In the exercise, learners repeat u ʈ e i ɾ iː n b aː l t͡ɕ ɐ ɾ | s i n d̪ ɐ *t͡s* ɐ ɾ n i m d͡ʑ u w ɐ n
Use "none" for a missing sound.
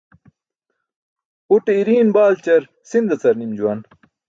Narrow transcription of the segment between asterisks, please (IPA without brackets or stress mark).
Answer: t͡s